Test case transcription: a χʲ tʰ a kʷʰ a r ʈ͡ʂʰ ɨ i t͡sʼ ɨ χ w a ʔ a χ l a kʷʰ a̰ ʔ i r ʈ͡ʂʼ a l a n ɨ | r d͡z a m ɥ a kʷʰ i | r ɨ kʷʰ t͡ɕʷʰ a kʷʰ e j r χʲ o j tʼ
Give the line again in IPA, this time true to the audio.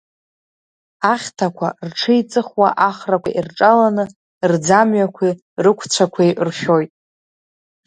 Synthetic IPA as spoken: a χʲ tʰ a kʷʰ a r ʈ͡ʂʰ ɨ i t͡sʼ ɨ χ w a ʔ a χ r a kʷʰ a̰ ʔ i r ʈ͡ʂʼ a l a n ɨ | r d͡z a m ɥ a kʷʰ i | r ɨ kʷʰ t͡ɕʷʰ a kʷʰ e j r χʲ o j tʼ

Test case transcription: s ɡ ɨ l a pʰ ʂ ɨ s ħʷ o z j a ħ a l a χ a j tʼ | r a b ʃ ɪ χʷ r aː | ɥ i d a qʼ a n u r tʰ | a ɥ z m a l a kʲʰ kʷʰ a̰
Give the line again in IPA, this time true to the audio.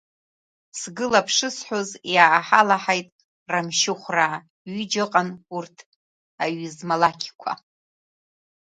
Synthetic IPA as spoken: s ɡ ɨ l a pʰ ʂ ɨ s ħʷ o z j a ħ a l a ħ a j tʼ | r a m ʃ ɪ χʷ r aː | ɥ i d͡ʒ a qʼ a n u r tʰ | a ɥ z m a l a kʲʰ kʷʰ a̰

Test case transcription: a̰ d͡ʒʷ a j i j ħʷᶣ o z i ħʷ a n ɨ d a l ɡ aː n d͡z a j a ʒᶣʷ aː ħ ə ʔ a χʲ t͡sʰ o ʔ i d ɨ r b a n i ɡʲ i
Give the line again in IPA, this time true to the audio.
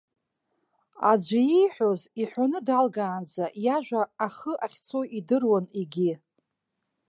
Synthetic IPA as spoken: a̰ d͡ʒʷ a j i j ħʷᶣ o z i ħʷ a n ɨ d a l ɡ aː n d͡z a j a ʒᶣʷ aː χ ə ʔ a χʲ t͡sʰ o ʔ i d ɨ r w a n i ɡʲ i

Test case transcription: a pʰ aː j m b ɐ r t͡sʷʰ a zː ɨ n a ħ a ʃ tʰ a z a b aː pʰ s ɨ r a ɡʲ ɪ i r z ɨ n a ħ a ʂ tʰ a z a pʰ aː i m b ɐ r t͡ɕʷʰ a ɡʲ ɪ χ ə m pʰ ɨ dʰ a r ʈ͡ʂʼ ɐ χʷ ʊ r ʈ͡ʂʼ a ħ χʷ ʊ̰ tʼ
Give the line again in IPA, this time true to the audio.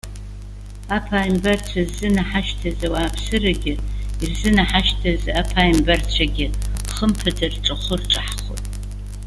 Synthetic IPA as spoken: a pʰ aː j m b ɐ r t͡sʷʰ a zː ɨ n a ħ a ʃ tʰ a z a w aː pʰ s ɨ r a ɡʲ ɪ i r z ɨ n a ħ a ʃ tʰ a z a pʰ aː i m b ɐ r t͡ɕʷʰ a ɡʲ ɪ χ ə m pʰ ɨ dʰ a r ʈ͡ʂʼ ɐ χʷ ʊ r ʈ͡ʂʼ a ħ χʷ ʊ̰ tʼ

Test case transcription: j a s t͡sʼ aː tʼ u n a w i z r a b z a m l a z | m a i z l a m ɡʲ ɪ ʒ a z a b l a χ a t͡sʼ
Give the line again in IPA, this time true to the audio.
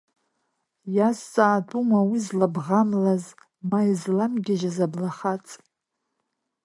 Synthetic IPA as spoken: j a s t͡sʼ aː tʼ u m a w i z l a b ʁ a m l a z | m a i z l a m ɡʲ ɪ ʒ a z a b l a χ a t͡sʼ

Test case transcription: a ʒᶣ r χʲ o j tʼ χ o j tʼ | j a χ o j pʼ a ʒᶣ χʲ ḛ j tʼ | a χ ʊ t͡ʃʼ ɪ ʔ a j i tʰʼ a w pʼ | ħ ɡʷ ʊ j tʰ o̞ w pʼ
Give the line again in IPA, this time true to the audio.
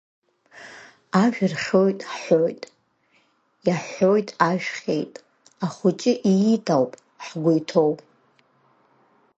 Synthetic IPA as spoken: a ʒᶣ r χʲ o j tʼ ħ o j tʼ | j a ħ o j tʼ a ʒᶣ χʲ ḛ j tʼ | a χ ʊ t͡ʃʼ ɪ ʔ i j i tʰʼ a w pʼ | ħ ɡʷ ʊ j tʰ o̞ w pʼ

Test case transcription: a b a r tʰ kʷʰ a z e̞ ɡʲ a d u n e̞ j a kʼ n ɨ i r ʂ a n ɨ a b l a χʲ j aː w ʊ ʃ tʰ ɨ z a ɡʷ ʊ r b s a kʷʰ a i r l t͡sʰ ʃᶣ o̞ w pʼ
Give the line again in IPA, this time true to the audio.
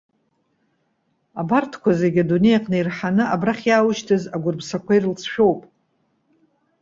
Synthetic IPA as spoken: a b a r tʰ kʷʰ a z e̞ ɡʲ a d u n e̞ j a qʼ n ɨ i r ħ a n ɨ a b r a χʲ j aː w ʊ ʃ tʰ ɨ z a ɡʷ ʊ r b s a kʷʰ a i r l t͡sʰ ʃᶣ o̞ w pʼ

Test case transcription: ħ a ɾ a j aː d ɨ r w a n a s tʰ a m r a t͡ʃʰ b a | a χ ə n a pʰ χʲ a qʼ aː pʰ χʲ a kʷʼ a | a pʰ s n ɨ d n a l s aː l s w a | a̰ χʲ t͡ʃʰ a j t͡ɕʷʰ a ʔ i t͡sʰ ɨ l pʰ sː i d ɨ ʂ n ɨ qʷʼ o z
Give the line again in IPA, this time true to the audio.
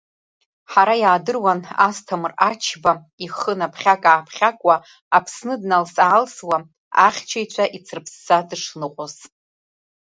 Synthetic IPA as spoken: ħ a ɾ a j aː d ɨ r w a n a s tʰ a m r a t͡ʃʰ b a | i χ ə n a pʰ χʲ a kʼ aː pʰ χʲ a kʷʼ a | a pʰ s n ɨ d n a l s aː l s w a | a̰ χʲ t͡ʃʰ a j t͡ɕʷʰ a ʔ i t͡sʰ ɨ r pʰ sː a d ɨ ʂ n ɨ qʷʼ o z

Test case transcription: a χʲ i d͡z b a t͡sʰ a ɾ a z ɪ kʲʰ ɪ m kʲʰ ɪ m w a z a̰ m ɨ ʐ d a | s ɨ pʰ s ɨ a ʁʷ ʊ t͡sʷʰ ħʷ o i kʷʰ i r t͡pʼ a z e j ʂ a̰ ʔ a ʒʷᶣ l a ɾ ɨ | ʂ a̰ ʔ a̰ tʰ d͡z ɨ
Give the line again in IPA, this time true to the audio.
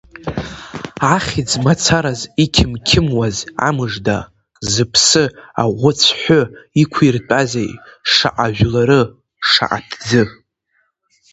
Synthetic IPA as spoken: a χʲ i d͡z m a t͡sʰ a ɾ a z i kʲʰ ɪ m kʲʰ ɪ m w a z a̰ m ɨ ʐ d a | z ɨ pʰ s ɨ a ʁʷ ʊ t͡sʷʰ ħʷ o i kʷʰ i r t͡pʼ a z e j ʂ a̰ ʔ a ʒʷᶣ l a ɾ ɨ | ʂ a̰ ʔ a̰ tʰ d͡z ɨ

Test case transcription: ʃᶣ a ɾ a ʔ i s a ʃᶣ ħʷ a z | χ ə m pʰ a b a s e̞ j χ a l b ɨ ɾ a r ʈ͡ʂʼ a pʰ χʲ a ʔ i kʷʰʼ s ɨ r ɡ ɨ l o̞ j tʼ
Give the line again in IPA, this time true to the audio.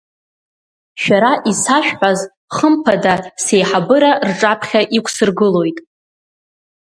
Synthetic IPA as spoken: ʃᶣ a ɾ a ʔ i s a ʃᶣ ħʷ a z | χ ə m pʰ a d a s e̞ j ħ a b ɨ ɾ a r ʈ͡ʂʼ a pʰ χʲ a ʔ i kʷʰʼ s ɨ r ɡ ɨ l o̞ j tʼ

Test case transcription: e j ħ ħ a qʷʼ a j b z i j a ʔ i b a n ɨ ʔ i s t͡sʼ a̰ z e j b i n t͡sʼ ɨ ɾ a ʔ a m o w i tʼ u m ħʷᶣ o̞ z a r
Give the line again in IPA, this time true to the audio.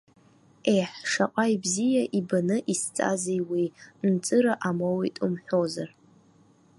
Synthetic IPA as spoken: e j ħ ʂ a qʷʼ a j b z i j a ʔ i b a n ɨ ʔ i s t͡sʼ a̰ z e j w i n t͡sʼ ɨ ɾ a ʔ a m o w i tʼ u m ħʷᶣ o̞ z a r

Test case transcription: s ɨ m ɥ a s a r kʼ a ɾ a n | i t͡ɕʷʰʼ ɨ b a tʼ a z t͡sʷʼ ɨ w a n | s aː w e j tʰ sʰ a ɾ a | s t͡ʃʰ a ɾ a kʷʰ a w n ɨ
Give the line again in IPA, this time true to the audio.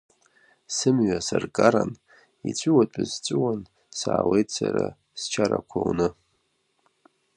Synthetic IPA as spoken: s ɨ m ɥ a s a r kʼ a ɾ a n | i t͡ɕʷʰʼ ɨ w a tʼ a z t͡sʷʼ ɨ w a n | s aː w e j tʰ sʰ a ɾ a | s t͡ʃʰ a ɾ a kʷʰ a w n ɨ

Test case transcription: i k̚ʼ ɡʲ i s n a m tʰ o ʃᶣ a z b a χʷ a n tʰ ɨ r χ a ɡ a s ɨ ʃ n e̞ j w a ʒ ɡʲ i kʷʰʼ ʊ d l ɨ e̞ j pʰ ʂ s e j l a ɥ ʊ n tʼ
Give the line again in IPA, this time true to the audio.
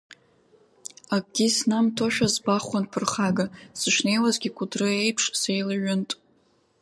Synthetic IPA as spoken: a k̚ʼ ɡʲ i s n a m tʰ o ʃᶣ a z b a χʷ a n pʰ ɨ r χ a ɡ a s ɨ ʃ n e̞ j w a z ɡʲ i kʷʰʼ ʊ d r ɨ e̞ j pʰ ʂ s e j l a ɥ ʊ n tʼ

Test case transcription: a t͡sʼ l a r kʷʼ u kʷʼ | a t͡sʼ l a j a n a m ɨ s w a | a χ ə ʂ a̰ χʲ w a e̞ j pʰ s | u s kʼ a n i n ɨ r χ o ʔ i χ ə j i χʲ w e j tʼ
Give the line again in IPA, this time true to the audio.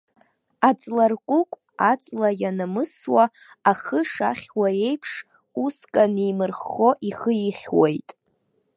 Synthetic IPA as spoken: a t͡sʼ l a r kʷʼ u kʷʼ | a t͡sʼ l a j a n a m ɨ s w a | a χ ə ʂ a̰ χʲ w a e̞ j pʰ ʂ | u s kʼ a n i m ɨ r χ o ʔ i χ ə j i χʲ w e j tʼ

